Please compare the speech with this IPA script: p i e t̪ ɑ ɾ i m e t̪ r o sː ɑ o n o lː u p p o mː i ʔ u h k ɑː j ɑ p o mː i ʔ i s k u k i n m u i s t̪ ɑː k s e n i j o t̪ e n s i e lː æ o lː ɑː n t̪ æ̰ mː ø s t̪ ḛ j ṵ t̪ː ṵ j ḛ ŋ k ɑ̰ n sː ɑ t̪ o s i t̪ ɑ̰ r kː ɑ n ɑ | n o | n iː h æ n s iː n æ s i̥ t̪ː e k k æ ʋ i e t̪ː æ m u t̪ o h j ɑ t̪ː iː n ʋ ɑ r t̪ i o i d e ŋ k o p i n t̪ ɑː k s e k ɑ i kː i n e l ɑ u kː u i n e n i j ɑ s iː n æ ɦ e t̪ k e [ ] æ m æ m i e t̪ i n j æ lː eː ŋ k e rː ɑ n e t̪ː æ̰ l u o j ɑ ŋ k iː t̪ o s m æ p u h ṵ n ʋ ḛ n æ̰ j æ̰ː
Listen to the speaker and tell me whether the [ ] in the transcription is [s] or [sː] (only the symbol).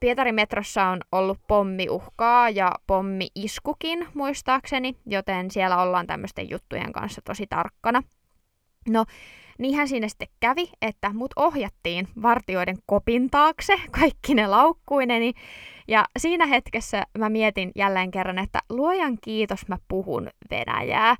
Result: sː